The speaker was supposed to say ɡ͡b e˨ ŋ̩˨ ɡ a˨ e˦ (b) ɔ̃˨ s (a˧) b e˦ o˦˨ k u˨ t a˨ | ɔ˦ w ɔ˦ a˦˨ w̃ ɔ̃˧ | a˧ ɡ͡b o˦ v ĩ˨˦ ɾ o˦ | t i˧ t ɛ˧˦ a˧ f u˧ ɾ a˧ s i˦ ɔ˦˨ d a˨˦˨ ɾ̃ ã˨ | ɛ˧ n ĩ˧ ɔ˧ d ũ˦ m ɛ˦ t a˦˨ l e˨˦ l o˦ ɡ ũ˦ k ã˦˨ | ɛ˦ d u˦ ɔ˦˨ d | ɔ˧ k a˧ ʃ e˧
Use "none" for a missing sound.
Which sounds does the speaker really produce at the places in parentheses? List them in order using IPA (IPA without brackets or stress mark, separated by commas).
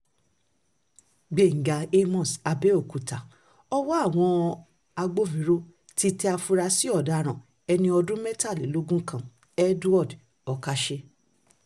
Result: m, a˧